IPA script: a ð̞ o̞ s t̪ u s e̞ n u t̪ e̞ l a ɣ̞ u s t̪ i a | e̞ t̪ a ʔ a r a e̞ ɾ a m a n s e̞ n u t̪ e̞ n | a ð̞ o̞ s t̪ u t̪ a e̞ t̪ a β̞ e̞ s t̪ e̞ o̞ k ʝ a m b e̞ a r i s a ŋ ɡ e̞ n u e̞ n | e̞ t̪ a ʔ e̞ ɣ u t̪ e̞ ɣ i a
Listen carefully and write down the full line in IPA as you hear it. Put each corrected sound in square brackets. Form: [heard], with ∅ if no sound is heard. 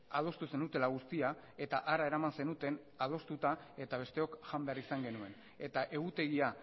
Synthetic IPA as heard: a ð̞ o̞ s t̪ u s e̞ n u t̪ e̞ l a ɣ̞ u s t̪ i a | e̞ t̪ a ʔ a [ɾ] a e̞ ɾ a m a n s e̞ n u t̪ e̞ n | a ð̞ o̞ s t̪ u t̪ a e̞ t̪ a β̞ e̞ s t̪ e̞ o̞ k ʝ a m b e̞ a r i s a ŋ ɡ e̞ n u e̞ n | e̞ t̪ a ʔ e̞ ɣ u t̪ e̞ ɣ i a